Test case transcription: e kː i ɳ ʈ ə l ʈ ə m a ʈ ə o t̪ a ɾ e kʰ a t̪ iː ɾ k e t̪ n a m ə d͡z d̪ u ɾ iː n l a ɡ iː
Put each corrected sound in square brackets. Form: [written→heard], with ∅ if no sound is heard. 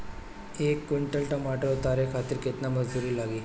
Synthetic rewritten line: e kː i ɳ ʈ ə l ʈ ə m a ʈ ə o t̪ a ɾ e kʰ a t̪ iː ɾ k e t̪ n a m ə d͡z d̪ u ɾ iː [n→∅] l a ɡ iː

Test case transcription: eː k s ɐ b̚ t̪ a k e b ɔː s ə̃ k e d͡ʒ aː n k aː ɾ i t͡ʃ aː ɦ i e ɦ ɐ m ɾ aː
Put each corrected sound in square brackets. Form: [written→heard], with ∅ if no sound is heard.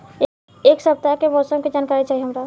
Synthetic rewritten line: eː k s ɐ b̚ t̪ a k e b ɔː s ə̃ k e d͡ʒ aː n k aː ɾ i t͡ʃ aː ɦ i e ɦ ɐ m ɾ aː

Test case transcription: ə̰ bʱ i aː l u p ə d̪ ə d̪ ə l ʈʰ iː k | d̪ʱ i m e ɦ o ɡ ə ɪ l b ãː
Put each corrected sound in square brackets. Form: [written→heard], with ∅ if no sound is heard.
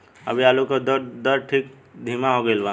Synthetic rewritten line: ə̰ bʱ i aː l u [p→k] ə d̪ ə d̪ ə [l→ɾ] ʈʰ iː k | d̪ʱ i m [e→a] ɦ o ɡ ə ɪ l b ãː

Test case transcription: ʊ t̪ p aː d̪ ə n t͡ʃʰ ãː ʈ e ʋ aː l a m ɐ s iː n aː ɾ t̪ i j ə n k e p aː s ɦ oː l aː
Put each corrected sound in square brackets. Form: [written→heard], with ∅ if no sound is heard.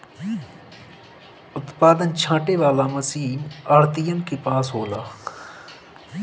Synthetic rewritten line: ʊ t̪ p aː d̪ ə n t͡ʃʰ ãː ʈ e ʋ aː l a m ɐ s iː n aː ɾ t̪ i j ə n k e p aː s ɦ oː l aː

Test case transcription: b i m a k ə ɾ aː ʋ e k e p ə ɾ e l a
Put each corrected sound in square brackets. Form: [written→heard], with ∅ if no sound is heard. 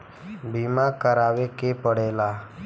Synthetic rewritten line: b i m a k ə ɾ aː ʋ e k e p ə [ɾ→ɽ] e l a

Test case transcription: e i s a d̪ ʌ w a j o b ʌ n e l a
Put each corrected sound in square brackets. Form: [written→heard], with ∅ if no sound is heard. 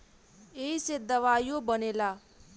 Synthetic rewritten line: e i s [a→e] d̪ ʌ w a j o b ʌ n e l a

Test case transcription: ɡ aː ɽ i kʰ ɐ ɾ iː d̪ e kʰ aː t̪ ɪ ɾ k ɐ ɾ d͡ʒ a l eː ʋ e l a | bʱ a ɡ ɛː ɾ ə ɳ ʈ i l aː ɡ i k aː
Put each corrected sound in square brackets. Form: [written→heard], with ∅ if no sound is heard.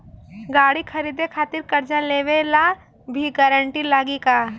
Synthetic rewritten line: ɡ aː ɽ i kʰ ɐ ɾ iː d̪ e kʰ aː t̪ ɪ ɾ k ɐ ɾ d͡ʒ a l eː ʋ e l a | bʱ [a→i] ɡ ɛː ɾ ə ɳ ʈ i l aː ɡ i k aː

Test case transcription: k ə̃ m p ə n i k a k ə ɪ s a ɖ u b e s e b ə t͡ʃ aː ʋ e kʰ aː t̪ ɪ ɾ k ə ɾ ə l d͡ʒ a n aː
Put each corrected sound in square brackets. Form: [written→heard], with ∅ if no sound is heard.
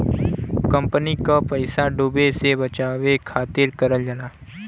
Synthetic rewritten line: k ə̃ m p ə n i k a [k→p] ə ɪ s a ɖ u b e s e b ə t͡ʃ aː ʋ e kʰ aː t̪ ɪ ɾ k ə ɾ ə l d͡ʒ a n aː

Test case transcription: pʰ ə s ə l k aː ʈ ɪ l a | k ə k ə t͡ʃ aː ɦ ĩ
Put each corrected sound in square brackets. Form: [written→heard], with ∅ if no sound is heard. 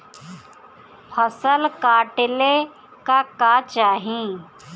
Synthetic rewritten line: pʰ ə s ə l k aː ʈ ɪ l [a→e] | k [ə→a] k [ə→a] t͡ʃ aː ɦ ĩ

